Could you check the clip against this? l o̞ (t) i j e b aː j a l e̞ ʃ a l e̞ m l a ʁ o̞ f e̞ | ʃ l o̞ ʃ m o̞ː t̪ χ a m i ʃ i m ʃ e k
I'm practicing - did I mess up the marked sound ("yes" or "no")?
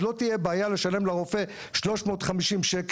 no